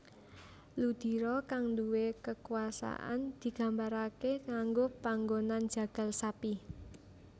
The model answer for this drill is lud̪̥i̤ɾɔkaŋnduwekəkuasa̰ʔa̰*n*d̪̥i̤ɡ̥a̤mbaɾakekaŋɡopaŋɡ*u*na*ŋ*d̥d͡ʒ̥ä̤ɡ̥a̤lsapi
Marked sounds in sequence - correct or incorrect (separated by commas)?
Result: correct, incorrect, incorrect